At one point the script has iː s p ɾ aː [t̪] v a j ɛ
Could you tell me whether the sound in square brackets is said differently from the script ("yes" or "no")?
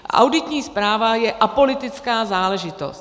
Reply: yes